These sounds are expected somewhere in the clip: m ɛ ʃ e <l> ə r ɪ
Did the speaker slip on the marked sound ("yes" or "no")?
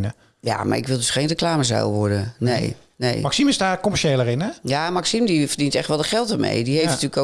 no